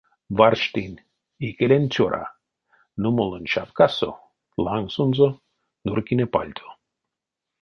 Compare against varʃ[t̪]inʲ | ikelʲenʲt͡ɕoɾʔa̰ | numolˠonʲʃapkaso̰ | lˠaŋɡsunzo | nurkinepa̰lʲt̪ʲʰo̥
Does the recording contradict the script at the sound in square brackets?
no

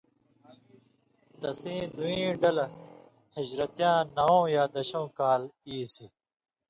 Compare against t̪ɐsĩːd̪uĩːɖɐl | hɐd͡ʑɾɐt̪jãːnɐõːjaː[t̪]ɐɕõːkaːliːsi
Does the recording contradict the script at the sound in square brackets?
yes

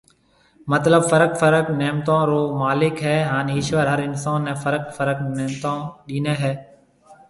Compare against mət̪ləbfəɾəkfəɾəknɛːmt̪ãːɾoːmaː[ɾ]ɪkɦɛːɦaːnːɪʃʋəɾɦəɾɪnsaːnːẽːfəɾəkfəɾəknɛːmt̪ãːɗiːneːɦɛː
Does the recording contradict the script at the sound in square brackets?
yes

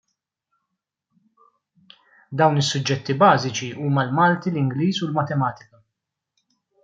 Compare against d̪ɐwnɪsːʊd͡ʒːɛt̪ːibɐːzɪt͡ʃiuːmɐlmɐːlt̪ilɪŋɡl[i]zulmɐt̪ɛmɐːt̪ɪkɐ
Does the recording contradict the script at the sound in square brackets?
yes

